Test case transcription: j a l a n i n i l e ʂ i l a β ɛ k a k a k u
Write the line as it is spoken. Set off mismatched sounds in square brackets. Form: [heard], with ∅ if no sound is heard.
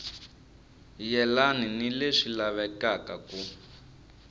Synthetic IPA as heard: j [ɛ] l a n i n i l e ʂ i l a β ɛ k a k a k u